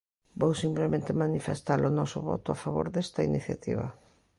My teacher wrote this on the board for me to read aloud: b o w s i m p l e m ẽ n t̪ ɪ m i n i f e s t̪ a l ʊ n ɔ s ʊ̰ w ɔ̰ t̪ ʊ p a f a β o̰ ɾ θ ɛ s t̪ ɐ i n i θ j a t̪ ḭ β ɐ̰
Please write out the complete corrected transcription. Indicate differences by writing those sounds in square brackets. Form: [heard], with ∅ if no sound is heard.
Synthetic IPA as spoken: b o w s i m p l e m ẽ n t̪ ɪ m [a] n i f e s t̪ a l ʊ n ɔ s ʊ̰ [β] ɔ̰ t̪ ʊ [∅] a f a β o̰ ɾ [ð] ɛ s t̪ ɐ i n i θ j a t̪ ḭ β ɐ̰

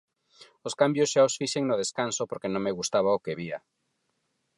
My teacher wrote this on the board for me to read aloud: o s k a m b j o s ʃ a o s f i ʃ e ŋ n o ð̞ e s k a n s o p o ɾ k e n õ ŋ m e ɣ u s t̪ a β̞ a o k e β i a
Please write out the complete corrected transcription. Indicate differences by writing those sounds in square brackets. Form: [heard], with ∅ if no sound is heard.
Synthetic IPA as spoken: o s k a m b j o s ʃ a o s f i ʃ e ŋ n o ð̞ e s k a n s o p o ɾ k e n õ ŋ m e ɣ u s t̪ a β̞ a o k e β i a

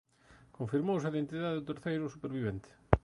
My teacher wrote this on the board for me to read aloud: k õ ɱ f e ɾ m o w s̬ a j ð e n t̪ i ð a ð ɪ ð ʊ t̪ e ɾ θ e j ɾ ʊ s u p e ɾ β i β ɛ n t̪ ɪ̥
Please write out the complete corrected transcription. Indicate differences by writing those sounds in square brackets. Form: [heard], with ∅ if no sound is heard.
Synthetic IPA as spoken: k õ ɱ f [i] ɾ m o w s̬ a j ð e n t̪ i ð a ð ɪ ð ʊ t̪ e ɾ θ e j ɾ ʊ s u p e ɾ β i β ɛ n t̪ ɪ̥

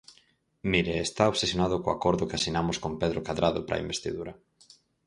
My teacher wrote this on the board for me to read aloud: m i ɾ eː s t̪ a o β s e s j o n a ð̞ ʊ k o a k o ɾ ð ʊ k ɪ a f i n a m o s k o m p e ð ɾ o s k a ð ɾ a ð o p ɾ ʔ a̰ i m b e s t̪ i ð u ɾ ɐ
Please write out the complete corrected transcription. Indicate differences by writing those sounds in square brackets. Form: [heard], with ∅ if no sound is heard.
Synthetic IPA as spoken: m i ɾ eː s t̪ a o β s e s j o n a ð̞ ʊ k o a k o ɾ ð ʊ k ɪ a [s] i n a m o s k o m p e ð ɾ o [∅] k a ð ɾ a ð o p ɾ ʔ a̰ i m b e s t̪ i ð u ɾ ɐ

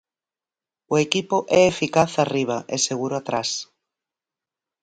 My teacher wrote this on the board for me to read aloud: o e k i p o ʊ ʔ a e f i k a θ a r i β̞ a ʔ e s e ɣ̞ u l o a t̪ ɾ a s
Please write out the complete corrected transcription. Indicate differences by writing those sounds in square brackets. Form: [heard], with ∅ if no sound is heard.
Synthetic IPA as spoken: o e k i p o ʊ ʔ [ɛ] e f i k a θ a r i β̞ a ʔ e s e ɣ̞ u [ɾ] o a t̪ ɾ a s

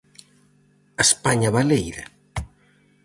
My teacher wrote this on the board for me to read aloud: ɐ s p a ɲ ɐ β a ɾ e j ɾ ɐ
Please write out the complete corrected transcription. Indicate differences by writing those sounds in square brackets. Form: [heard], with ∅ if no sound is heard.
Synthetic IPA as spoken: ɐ s p a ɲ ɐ β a [l] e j ɾ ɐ

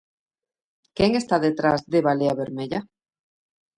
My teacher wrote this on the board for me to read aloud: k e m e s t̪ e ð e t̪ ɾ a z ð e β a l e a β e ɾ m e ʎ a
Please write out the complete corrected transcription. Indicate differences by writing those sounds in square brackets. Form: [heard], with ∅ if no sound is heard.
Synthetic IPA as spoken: k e [ŋ] e s t̪ [a] ð e t̪ ɾ a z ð e β a l e a β e ɾ m e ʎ a

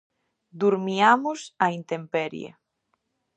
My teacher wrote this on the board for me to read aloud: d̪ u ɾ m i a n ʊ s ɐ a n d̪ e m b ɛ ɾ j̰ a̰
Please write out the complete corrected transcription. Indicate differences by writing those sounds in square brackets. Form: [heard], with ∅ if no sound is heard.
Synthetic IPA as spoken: d̪ u ɾ m i a [m] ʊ s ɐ [i] n [t̪] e m [p] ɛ ɾ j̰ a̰

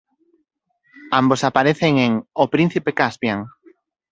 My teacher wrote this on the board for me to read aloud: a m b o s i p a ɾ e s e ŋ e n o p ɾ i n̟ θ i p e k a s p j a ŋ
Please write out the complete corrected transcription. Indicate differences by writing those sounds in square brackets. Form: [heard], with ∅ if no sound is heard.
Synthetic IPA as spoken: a m b o s [a] p a ɾ e [θ] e ŋ e [ŋ] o p ɾ i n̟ θ i p e k a s p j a ŋ

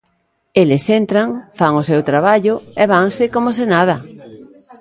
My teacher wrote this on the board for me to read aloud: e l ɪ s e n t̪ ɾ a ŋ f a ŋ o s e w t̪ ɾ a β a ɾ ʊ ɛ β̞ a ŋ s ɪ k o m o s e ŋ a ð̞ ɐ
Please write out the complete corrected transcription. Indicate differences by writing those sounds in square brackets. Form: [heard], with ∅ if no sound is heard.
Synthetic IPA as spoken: e l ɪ s e n t̪ ɾ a ŋ f a ŋ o s e w t̪ ɾ a β a [ʎ] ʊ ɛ β̞ a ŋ s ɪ k o m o s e [n] a ð̞ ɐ

